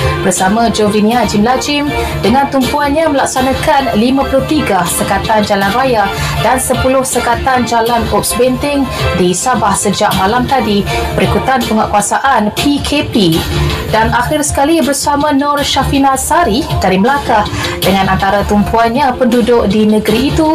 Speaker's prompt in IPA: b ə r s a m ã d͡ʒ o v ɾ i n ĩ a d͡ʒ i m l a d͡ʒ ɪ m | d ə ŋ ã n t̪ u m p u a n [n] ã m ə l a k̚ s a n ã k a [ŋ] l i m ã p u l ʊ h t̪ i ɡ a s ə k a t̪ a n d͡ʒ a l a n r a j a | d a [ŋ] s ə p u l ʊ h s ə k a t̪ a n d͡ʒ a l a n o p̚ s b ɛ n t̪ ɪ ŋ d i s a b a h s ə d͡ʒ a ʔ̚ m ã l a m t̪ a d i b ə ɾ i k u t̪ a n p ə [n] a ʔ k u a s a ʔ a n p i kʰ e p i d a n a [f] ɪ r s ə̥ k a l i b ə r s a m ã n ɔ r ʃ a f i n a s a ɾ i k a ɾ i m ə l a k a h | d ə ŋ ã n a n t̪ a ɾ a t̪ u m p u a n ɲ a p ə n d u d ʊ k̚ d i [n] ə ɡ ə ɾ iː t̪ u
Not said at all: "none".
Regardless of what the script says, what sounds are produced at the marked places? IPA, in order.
ɲ, n, n, ŋ, x, n

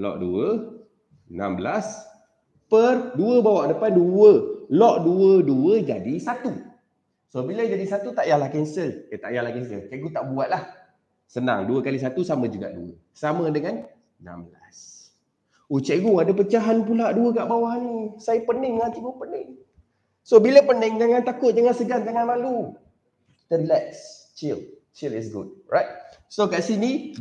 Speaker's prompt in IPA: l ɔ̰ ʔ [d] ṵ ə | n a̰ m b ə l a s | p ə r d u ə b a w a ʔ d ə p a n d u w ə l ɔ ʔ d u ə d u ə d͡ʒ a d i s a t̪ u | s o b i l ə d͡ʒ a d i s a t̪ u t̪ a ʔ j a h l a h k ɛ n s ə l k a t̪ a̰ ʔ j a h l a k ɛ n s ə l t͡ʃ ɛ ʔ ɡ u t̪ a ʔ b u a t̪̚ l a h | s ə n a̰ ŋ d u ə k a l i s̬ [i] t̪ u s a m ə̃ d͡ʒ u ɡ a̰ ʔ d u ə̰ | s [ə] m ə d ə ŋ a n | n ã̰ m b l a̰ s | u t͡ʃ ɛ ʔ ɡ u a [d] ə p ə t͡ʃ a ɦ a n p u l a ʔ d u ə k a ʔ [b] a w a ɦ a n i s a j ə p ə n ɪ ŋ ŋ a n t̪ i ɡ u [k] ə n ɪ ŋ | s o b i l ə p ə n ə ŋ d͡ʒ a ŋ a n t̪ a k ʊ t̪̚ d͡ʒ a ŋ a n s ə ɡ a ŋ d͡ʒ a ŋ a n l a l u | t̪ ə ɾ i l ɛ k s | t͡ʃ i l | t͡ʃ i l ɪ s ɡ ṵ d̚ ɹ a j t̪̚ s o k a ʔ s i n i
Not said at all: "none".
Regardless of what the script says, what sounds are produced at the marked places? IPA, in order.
d, a, a, d, b, p

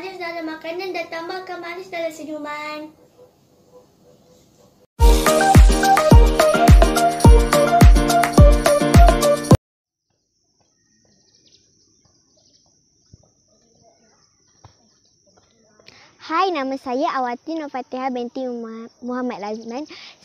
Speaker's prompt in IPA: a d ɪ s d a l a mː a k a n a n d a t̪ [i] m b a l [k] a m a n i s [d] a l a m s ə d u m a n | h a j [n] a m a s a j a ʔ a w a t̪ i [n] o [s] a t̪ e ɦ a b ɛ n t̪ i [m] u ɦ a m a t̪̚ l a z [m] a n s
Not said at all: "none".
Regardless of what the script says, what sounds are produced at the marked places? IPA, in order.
a, k, d, n, n, f, m, m

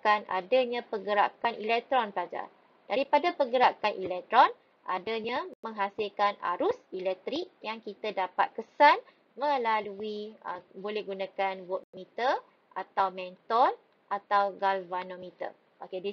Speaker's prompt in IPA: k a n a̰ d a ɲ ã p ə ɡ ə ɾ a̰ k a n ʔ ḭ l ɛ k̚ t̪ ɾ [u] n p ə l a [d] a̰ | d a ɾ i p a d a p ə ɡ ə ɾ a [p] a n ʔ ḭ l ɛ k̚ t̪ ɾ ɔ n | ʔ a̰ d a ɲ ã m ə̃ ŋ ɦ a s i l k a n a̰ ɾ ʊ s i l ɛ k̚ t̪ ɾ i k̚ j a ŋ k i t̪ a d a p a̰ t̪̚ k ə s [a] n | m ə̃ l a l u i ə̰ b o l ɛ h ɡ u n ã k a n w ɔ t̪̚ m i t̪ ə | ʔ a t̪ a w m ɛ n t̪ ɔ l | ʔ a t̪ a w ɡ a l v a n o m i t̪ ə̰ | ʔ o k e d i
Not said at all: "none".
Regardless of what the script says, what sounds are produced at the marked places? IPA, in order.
ɔ, d͡ʒ, k, a

